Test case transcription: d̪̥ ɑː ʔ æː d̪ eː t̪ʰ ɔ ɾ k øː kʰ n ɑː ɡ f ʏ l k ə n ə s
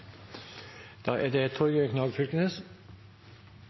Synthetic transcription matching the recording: d̪̥ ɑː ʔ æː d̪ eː t̪ʰ ɔ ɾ ɡ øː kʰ n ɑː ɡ f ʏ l k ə n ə s